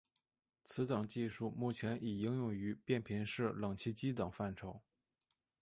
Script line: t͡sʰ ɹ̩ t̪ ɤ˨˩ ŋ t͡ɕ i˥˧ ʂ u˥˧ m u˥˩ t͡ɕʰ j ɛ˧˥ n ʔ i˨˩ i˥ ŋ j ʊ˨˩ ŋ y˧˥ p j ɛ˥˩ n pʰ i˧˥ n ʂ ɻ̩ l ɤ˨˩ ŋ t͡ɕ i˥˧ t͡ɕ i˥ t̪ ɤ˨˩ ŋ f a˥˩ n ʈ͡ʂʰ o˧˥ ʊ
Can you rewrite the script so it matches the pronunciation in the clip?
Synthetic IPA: t͡sʰ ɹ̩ t̪ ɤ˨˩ ŋ t͡ɕ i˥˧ ʂ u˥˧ m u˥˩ t͡ɕʰ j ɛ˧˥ n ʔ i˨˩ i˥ ŋ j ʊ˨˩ ŋ y˧˥ p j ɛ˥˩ n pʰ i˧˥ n ʂ ɻ̩ l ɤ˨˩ ŋ t͡ɕʰ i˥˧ t͡ɕ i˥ t̪ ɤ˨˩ ŋ f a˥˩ n ʈ͡ʂʰ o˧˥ ʊ

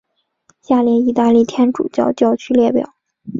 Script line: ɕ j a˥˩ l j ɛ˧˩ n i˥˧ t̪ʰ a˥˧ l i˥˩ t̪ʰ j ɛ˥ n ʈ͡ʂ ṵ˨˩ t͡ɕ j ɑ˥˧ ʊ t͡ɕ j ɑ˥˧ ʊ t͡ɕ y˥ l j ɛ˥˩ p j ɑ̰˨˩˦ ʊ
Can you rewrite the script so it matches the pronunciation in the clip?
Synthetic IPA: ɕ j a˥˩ l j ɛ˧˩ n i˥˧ t̪ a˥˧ l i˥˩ t̪ʰ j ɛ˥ n ʈ͡ʂ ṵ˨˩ t͡ɕ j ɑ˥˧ ʊ t͡ɕ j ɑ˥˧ ʊ t͡ɕʰ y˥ l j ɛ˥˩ p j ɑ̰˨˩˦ ʊ

